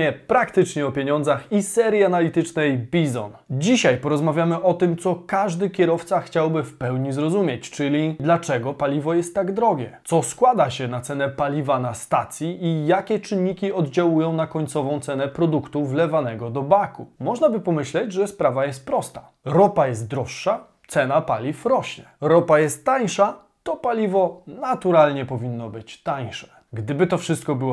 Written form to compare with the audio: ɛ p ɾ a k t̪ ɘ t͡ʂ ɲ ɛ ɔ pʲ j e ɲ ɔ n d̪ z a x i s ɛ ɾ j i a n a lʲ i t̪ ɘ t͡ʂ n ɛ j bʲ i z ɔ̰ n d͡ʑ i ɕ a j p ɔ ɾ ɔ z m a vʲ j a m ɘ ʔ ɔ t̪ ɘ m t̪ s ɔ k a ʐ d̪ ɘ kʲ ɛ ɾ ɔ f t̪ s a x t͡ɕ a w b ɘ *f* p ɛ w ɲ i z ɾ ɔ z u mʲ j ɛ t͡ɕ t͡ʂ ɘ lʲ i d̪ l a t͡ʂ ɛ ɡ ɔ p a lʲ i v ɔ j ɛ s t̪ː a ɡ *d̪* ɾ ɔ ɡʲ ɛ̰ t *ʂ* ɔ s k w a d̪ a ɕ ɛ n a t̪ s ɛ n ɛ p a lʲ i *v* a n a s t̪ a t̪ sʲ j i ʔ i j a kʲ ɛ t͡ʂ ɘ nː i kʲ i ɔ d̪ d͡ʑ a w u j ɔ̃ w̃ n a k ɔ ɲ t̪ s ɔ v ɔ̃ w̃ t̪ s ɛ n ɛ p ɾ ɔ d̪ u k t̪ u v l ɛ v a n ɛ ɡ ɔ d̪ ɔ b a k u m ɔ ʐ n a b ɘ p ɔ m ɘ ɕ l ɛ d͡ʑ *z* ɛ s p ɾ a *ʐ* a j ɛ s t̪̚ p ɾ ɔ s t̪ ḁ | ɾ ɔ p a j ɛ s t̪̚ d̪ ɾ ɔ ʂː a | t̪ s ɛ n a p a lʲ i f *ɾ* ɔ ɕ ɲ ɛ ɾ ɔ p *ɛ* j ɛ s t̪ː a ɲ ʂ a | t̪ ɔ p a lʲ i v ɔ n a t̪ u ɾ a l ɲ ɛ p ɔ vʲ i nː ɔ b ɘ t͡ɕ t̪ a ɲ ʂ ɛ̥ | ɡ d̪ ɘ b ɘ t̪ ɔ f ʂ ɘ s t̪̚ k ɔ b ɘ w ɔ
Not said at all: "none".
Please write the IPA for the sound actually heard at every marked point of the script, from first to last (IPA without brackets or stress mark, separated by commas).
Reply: f, d̪, s, v, ʐ, v, ɾ, a